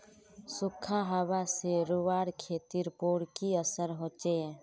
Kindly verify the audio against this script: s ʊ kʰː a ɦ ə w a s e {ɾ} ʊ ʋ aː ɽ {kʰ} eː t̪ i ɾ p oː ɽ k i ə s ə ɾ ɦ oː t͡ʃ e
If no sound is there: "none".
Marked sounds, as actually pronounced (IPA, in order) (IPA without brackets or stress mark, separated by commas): ɾ, kʰ